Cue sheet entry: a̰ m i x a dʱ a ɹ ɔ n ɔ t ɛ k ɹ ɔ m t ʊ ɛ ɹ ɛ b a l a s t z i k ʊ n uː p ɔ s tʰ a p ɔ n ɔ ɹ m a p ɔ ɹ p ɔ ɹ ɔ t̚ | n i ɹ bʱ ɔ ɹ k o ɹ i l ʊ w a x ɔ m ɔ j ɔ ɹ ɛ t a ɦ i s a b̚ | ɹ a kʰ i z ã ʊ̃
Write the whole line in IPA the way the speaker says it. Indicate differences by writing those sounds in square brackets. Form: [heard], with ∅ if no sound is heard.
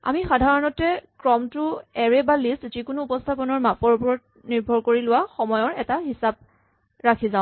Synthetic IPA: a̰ m i x a dʱ a ɹ ɔ n ɔ t ɛ k ɹ ɔ m t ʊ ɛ ɹ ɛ b a l [i] s t z i k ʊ n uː p ɔ s tʰ a p ɔ n ɔ ɹ m a p ɔ ɹ p ɔ ɹ ɔ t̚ | n i ɹ bʱ ɔ ɹ k o ɹ i l ʊ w a x ɔ m ɔ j ɔ ɹ ɛ t a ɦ i s a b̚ | ɹ a kʰ i z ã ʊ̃